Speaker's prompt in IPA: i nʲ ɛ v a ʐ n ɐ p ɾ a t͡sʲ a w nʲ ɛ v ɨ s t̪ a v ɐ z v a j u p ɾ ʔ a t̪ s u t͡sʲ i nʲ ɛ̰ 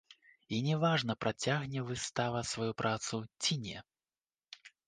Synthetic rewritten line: i nʲ ɛ v a ʐ n ɐ p ɾ a t͡sʲ a ɣ nʲ ɛ v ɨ s t̪ a v ɐ s v a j u p ɾ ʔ a t̪ s u t͡sʲ i nʲ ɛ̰